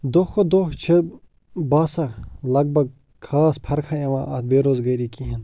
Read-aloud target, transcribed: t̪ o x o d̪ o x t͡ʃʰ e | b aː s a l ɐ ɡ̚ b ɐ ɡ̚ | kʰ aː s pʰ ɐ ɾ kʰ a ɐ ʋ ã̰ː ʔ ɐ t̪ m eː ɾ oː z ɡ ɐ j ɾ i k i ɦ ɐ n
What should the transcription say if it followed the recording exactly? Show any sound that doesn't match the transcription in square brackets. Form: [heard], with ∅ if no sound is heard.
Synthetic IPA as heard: [d̪] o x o d̪ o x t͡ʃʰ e | b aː s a l ɐ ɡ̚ b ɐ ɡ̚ | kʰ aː s pʰ ɐ ɾ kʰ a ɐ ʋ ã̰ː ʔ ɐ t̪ [b] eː ɾ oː z ɡ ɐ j ɾ i k i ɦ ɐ n

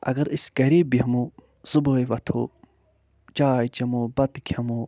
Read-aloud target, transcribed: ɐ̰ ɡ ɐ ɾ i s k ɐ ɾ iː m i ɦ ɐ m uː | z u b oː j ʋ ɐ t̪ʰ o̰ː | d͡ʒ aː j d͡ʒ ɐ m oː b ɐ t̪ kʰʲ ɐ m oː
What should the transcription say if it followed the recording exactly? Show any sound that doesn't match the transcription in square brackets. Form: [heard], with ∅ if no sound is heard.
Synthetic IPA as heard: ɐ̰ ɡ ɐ ɾ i s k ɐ ɾ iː [b] i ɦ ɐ m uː | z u b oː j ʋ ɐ t̪ʰ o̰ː | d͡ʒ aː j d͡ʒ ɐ m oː b ɐ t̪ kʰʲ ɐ m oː

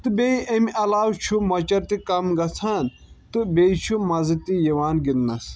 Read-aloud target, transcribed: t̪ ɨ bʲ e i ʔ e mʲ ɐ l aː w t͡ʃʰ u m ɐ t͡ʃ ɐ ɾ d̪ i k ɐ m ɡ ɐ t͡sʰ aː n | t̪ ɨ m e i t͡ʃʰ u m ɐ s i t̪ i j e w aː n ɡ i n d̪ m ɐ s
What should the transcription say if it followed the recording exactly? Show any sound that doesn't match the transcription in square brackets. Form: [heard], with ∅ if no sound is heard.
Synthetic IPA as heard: t̪ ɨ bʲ e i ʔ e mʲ ɐ l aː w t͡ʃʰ u m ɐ t͡ʃ ɐ ɾ [t̪] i k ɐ m ɡ ɐ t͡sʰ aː n | t̪ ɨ [b] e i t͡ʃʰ u m ɐ [z] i t̪ i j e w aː n ɡ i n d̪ [n] ɐ s

